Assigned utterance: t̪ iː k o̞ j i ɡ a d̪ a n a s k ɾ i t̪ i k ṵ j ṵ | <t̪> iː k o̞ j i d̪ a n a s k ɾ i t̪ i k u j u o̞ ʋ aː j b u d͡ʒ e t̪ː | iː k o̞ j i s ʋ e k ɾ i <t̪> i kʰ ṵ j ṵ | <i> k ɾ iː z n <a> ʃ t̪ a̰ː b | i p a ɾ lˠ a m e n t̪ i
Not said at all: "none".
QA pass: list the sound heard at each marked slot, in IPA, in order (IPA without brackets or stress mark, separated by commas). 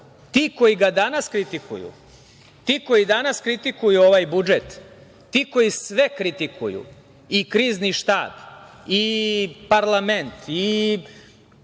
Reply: t̪, t̪, i, i